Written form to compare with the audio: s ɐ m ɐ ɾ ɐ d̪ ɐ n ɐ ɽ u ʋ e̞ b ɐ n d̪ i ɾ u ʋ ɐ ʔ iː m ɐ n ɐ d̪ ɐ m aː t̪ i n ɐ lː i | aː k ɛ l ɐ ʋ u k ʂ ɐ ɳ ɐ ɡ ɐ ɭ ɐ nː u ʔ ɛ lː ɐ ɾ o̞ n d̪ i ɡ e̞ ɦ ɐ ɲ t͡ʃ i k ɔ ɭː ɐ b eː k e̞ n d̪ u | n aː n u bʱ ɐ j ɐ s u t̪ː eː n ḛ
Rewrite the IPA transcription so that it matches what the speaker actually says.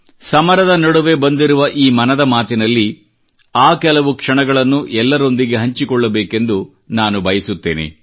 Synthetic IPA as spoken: s ɐ m ɐ ɾ ɐ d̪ ɐ n ɐ ɽ u ʋ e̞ b ɐ n d̪ i ɾ u ʋ ɐ ʔ iː m ɐ n ɐ d̪ ɐ m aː t̪ i n ɐ lː i | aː k ɛ l ɐ ʋ u k ʂ ɐ ɳ ɐ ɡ ɐ ɭ ɐ nː u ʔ ɛ lː ɐ ɾ o̞ n d̪ i ɡ e̞ ɦ ɐ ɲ t͡ʃ i k ɔ ɭː ɐ b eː k e̞ n d̪ u | n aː n u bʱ ɐ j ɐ s u t̪ː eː n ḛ